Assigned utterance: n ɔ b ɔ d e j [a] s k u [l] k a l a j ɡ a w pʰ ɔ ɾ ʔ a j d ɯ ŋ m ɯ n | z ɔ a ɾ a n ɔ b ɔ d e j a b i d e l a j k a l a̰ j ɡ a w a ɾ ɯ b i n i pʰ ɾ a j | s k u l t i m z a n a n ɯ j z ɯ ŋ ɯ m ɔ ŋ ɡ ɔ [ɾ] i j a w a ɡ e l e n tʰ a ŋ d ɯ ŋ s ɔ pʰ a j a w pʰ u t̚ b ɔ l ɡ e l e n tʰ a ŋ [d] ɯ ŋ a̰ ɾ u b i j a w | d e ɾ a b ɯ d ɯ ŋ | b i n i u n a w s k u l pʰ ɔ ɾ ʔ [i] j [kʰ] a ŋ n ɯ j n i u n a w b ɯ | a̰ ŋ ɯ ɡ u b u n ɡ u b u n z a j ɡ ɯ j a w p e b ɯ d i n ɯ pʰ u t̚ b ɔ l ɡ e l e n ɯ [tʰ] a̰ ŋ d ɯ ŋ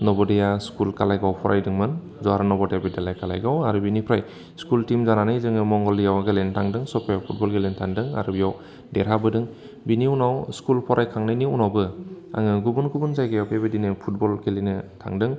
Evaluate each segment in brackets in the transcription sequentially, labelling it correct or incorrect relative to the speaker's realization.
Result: correct, correct, incorrect: l, correct, incorrect: a, correct, correct

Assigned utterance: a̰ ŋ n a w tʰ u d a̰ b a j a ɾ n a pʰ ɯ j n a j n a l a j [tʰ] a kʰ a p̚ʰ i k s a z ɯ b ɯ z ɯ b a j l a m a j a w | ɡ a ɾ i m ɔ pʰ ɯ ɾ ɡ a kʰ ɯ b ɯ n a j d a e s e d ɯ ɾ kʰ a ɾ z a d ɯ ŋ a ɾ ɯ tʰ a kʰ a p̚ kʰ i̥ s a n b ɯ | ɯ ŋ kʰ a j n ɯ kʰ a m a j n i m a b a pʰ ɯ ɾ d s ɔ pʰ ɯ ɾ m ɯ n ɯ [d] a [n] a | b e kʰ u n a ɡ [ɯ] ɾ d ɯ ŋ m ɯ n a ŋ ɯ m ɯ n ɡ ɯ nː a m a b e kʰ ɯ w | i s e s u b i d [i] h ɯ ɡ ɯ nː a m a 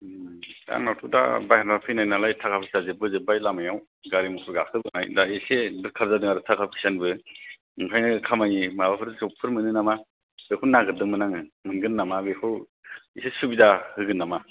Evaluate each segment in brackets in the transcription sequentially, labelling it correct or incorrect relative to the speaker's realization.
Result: correct, incorrect: n, incorrect: m, correct, incorrect: a

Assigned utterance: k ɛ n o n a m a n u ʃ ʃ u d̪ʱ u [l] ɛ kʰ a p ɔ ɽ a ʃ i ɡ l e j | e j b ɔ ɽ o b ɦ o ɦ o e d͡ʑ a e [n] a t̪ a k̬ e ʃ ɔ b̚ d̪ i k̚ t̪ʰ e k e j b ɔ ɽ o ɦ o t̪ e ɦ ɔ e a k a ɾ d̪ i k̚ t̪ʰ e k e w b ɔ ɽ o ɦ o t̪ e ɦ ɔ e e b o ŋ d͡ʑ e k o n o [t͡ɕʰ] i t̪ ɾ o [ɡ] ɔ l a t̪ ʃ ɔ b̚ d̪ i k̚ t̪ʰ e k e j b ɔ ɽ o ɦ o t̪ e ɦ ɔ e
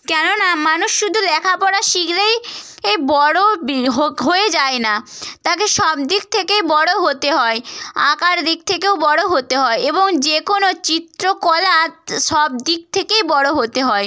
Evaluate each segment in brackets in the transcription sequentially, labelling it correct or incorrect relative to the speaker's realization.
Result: correct, correct, incorrect: t͡ɕ, incorrect: k

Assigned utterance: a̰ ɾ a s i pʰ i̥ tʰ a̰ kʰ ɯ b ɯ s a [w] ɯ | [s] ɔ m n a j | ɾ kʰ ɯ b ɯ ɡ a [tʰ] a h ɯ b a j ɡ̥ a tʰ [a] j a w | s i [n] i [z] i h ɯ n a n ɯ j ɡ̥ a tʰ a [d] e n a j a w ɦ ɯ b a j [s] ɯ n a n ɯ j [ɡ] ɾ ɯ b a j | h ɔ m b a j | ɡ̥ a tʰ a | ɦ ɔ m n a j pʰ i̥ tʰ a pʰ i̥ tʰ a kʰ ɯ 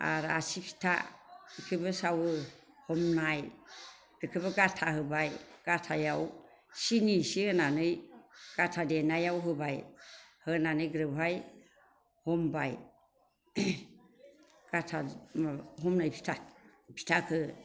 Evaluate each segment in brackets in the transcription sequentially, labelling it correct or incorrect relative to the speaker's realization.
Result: correct, incorrect: h, correct, correct, correct, incorrect: s, correct, incorrect: h, correct

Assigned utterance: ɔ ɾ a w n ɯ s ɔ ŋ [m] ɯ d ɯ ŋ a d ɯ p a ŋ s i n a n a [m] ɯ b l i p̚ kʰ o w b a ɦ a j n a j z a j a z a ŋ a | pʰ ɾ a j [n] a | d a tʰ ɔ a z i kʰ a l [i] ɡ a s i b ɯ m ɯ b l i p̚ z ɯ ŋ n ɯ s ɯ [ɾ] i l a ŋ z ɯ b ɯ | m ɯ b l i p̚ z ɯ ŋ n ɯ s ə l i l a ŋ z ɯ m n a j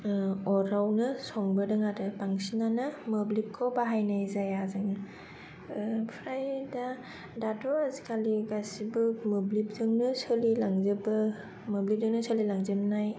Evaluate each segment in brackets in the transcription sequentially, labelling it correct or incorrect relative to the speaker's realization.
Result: incorrect: b, correct, incorrect: d, correct, incorrect: l

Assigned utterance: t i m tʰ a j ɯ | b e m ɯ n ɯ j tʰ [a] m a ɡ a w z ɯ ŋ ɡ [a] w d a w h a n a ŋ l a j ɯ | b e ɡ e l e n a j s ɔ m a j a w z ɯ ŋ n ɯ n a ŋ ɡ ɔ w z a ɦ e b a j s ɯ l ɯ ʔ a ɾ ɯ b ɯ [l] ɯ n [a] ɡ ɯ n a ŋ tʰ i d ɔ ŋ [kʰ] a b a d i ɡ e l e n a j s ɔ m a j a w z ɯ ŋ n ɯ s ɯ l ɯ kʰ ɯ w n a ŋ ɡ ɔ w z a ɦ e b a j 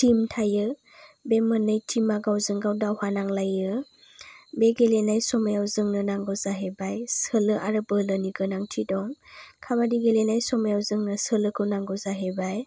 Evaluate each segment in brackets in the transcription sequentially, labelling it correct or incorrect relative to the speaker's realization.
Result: incorrect: i, correct, correct, incorrect: i, correct

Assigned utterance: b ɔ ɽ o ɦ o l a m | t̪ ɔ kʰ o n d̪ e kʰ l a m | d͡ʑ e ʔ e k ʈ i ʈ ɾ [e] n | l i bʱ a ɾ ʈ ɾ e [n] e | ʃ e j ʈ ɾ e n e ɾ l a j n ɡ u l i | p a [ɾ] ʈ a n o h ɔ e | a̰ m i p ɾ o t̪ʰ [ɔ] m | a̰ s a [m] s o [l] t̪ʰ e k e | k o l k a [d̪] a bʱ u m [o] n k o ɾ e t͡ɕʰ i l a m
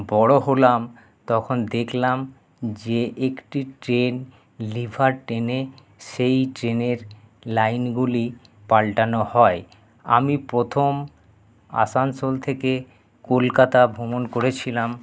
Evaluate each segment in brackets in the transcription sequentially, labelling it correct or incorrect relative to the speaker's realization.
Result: correct, correct, incorrect: l, incorrect: o, incorrect: n, correct, incorrect: t̪, correct

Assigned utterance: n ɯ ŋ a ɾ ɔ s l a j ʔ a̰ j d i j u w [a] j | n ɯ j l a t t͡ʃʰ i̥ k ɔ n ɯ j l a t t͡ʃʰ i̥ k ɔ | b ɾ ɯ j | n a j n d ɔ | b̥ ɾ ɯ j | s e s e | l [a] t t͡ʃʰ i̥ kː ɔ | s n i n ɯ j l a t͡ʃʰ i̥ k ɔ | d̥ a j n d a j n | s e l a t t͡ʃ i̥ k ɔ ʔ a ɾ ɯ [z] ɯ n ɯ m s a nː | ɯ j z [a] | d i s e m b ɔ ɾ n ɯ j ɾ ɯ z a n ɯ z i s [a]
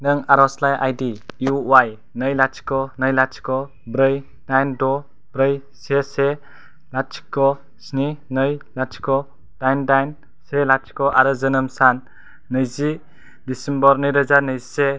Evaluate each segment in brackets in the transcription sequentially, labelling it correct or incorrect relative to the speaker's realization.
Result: correct, correct, correct, incorrect: i, incorrect: e

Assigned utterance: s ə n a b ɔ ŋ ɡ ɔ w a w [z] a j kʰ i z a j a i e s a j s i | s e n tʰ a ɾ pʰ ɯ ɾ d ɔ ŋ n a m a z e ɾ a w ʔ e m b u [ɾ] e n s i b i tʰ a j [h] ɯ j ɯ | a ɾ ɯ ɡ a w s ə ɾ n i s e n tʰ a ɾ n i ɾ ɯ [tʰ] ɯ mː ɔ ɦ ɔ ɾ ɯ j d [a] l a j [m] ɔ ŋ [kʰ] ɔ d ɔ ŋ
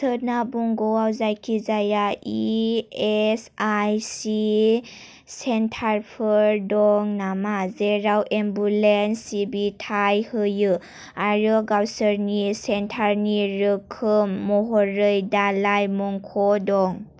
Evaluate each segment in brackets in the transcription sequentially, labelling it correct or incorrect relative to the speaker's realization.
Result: correct, incorrect: l, correct, incorrect: kʰ, correct, correct, correct

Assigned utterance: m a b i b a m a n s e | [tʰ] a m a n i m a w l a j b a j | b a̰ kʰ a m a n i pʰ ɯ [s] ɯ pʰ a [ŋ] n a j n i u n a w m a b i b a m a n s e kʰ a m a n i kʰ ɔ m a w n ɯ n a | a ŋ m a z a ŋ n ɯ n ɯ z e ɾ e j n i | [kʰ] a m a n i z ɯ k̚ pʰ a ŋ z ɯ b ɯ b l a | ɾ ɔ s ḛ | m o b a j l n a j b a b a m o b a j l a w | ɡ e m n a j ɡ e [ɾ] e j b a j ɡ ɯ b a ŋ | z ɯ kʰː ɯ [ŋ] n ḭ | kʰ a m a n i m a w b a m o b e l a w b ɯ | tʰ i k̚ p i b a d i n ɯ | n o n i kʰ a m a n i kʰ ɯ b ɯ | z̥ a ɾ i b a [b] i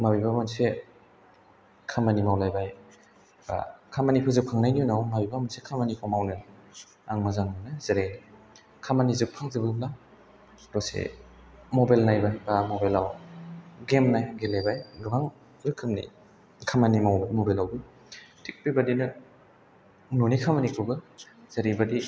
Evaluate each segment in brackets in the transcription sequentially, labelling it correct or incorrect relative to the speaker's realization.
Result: incorrect: kʰ, incorrect: z, correct, correct, incorrect: l, incorrect: m, incorrect: d

